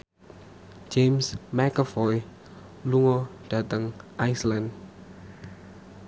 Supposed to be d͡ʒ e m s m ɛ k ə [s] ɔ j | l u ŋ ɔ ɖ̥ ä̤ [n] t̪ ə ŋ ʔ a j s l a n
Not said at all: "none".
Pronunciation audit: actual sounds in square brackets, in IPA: f, none

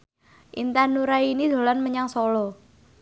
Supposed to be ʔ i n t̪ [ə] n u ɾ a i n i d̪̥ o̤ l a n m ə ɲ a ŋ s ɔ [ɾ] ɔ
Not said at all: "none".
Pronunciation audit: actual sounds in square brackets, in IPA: a, l

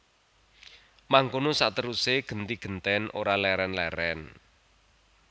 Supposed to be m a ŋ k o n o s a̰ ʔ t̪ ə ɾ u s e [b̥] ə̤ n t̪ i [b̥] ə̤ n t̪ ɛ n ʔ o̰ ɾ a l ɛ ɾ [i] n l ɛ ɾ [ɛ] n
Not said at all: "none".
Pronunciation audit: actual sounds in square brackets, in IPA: ɡ̥, ɡ̥, ɛ, ɛ

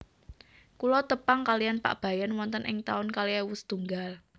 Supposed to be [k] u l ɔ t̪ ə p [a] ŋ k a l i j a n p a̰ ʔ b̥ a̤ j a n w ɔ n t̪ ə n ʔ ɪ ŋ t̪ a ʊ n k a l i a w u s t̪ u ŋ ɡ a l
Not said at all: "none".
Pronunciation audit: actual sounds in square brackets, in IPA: k, a

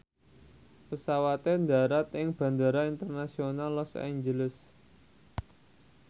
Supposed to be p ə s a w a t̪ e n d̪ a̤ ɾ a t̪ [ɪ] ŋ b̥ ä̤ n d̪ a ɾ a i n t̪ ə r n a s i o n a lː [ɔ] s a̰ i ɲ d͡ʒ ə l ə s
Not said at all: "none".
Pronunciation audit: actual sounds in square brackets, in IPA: ɪ, ɔ

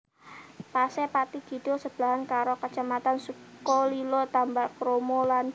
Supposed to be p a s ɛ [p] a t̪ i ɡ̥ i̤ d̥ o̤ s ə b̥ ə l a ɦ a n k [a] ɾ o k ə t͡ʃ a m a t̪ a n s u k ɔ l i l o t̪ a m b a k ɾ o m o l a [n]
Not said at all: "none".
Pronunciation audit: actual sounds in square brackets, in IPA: p, a, n

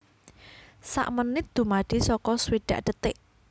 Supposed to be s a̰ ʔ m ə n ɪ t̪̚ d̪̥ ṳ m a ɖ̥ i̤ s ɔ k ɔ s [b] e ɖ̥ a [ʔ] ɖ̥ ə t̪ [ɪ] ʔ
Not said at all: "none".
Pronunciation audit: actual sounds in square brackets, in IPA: w, ʔ, ɪ

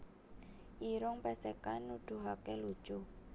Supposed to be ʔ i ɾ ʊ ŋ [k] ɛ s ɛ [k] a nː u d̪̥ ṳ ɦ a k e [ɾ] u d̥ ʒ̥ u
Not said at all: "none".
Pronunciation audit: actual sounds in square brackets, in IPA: p, k, l

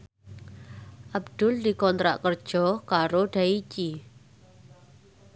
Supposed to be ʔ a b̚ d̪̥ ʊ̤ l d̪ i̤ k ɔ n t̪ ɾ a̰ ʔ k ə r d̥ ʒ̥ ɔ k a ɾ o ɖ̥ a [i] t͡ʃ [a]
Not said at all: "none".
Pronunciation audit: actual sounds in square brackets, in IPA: i, i

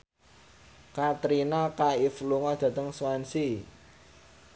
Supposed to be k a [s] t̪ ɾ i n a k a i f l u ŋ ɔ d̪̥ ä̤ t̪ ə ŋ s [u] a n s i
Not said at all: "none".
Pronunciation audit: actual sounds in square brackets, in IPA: none, w

